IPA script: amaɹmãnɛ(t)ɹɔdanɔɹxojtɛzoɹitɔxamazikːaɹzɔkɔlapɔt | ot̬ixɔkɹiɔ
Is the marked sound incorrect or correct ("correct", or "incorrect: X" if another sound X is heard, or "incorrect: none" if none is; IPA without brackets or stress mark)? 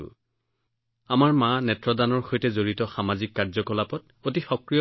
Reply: correct